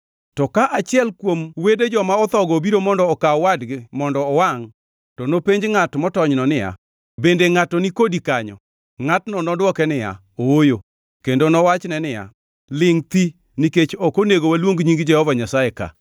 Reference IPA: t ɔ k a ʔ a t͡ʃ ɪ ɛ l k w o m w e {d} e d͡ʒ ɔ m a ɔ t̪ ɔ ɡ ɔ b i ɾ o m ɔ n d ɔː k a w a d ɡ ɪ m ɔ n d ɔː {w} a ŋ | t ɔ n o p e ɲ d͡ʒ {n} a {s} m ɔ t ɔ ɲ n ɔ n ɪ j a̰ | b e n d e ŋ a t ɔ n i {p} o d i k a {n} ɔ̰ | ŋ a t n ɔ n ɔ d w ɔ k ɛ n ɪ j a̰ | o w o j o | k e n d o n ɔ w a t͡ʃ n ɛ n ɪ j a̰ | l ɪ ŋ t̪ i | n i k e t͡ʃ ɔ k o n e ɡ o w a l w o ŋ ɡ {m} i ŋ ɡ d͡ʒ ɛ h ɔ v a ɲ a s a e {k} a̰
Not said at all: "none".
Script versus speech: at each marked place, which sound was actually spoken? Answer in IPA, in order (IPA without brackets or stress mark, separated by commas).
d, w, ŋ, t, k, ɲ, ɲ, k